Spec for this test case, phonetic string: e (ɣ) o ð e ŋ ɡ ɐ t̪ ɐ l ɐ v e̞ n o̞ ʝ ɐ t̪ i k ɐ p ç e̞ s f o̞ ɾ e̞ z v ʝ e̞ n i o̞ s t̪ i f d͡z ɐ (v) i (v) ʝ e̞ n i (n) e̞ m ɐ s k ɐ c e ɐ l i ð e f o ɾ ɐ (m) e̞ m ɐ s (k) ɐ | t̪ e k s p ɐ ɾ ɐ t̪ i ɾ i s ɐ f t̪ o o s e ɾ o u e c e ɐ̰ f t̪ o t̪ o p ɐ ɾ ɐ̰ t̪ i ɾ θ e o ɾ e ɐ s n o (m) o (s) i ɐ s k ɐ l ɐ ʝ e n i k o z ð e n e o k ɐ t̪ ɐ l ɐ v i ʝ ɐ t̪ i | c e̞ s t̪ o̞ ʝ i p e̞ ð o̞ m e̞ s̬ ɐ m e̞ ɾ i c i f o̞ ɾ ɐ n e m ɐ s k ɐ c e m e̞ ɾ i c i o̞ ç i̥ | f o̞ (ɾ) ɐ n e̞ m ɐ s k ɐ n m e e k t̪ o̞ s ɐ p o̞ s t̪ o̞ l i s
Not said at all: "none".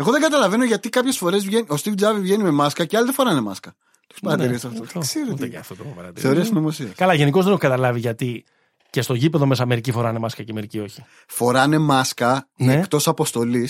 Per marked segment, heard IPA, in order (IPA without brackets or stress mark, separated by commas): ɣ, v, v, m, n, k, m, s, ɾ